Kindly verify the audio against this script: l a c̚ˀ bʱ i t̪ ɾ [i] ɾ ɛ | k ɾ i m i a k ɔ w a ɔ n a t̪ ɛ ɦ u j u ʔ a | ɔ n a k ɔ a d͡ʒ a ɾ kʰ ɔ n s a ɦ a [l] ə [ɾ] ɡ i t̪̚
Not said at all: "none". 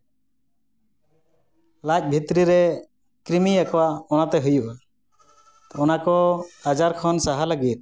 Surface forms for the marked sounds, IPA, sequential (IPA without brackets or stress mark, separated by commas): i, l, none